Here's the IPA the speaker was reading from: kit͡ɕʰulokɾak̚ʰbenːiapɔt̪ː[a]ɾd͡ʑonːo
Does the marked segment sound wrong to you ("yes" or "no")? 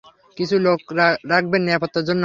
no